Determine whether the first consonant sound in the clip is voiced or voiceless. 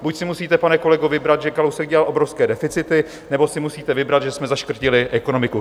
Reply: voiced